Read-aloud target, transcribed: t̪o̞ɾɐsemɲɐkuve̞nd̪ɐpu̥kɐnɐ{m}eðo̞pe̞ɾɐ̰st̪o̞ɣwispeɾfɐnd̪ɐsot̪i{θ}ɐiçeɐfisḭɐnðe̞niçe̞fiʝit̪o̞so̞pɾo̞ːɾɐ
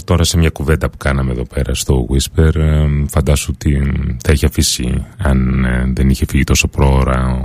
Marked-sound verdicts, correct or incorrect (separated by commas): correct, correct